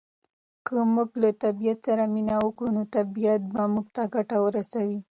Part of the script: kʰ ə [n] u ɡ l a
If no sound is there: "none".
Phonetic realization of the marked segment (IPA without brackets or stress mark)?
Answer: m